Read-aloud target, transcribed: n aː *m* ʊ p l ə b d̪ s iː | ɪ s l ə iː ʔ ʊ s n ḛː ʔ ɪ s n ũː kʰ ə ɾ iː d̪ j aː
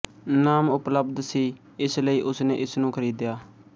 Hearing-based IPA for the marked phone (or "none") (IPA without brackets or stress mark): m